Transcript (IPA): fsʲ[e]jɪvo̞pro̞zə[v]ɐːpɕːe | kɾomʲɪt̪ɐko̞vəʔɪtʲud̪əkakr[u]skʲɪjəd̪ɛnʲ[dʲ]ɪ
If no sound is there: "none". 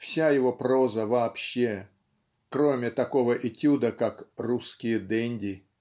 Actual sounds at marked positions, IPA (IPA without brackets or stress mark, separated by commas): a, v, u, dʲ